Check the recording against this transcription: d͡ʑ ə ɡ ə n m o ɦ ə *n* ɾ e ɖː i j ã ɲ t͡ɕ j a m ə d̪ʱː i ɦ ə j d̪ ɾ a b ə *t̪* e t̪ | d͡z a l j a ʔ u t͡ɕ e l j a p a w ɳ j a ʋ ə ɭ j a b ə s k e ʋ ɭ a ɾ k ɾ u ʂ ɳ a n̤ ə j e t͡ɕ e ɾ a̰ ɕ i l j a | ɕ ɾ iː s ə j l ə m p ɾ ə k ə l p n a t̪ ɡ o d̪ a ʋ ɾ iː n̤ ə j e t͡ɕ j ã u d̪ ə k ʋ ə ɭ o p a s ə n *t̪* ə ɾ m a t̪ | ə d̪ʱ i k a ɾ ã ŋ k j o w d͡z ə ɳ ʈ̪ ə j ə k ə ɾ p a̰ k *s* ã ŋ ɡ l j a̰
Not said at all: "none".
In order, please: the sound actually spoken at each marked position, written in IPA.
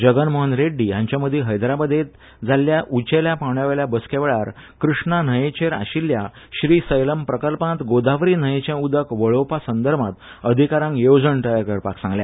n, d̪, d̪, s

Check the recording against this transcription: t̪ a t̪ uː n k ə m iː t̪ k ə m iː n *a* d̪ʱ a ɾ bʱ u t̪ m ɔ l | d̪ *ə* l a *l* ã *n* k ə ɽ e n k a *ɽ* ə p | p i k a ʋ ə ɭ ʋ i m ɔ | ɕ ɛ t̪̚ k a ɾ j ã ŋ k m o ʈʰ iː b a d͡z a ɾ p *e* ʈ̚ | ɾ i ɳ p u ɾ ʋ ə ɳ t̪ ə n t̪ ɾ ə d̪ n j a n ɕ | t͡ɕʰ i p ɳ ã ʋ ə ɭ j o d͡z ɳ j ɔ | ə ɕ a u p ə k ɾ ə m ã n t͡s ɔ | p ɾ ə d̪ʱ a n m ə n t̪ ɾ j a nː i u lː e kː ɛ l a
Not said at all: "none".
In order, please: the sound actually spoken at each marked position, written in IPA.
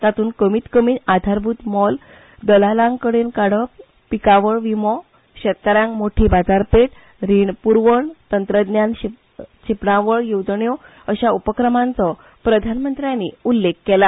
a, ə, l, ŋ, ɽ, e

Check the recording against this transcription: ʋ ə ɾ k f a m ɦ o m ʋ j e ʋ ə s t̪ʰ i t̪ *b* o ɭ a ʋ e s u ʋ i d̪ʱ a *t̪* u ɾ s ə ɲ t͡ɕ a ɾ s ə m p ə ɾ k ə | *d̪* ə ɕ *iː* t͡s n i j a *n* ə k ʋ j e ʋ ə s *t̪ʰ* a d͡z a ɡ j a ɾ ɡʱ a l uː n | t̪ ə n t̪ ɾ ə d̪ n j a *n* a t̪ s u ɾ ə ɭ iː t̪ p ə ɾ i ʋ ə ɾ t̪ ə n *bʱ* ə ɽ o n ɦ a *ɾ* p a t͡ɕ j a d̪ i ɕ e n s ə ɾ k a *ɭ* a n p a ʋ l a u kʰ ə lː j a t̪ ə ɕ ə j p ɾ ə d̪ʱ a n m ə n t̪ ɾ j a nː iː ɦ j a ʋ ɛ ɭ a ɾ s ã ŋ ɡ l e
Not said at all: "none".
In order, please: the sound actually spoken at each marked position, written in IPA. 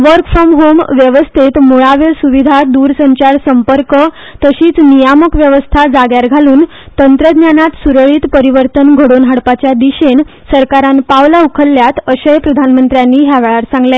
m, d̪, t̪, iː, m, t̪ʰ, n, ɡʱ, ɽ, ɾ

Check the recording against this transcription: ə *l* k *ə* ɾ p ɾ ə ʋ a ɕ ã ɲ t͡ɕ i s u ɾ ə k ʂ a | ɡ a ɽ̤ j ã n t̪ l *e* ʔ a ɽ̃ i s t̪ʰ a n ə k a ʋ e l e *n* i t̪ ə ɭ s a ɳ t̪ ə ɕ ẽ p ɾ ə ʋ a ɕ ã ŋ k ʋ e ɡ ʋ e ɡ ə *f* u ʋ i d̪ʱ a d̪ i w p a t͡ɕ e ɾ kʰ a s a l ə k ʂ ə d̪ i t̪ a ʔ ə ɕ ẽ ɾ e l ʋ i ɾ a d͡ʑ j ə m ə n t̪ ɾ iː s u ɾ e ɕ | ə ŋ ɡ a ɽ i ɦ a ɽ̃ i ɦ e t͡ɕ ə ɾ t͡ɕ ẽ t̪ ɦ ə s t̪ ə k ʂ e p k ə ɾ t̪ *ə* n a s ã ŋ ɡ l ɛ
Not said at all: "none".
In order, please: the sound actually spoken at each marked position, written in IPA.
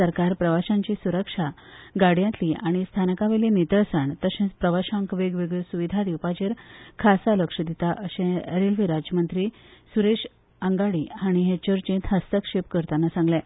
ɾ, a, i, n, s, a

